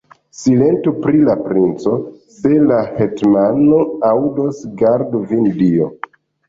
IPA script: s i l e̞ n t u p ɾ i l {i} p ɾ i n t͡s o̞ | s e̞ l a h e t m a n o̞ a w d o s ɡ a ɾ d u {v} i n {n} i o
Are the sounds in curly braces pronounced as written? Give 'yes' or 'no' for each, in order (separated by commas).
no, yes, no